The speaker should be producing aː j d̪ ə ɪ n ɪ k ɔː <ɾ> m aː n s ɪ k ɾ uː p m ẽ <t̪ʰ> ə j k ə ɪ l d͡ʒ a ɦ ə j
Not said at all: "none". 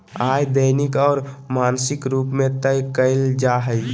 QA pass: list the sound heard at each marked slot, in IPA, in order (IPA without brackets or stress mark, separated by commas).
ɾ, t̪